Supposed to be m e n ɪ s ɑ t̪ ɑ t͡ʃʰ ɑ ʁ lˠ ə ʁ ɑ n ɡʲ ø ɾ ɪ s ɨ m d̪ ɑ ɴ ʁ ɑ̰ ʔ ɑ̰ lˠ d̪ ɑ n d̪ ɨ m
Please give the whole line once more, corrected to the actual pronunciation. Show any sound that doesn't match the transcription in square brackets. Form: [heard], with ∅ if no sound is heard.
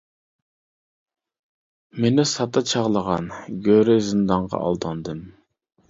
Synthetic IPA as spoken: m e n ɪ s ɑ t̪ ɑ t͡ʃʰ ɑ ʁ lˠ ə ʁ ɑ n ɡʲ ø ɾ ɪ [z] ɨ [n] d̪ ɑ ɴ ʁ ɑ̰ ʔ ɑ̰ lˠ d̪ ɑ n d̪ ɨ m